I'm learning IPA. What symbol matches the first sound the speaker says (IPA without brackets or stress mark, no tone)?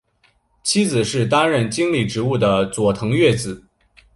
t͡ɕʰ